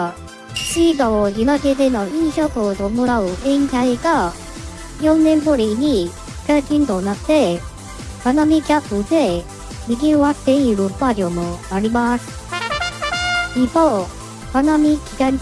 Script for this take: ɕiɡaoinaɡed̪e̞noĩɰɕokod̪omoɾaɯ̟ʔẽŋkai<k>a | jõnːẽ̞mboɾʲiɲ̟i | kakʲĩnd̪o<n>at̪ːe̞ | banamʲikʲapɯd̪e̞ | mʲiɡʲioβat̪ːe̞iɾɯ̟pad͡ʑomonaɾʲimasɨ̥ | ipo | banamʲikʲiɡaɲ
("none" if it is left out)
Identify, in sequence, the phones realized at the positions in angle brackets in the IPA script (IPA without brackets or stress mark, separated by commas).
ɡ, n